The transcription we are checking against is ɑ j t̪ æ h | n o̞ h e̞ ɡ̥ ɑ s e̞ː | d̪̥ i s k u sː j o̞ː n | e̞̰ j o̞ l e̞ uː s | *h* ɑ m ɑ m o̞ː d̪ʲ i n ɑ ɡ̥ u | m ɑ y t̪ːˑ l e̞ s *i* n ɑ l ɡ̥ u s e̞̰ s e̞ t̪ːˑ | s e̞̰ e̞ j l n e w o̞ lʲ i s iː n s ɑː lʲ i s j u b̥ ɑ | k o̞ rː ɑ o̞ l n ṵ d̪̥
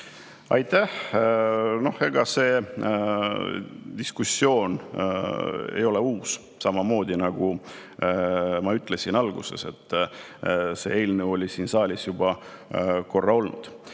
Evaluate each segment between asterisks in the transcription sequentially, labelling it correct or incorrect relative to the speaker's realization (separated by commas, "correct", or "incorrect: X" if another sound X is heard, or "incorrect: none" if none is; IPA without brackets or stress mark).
incorrect: s, correct